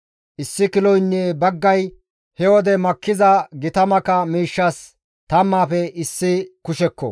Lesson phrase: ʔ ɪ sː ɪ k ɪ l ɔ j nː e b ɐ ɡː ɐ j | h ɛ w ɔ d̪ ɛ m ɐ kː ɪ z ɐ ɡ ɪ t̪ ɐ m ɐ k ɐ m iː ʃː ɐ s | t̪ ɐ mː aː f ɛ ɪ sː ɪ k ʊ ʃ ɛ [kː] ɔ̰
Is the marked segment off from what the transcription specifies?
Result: no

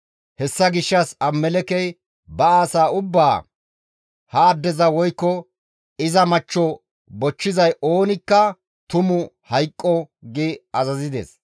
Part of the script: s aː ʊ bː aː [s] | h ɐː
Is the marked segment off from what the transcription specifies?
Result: yes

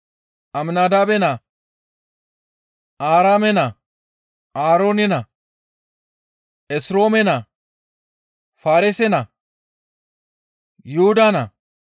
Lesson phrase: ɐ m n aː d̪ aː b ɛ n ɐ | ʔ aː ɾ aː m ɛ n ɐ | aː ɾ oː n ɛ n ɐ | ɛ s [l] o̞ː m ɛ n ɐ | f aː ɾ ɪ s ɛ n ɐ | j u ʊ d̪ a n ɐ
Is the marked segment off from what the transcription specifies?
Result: yes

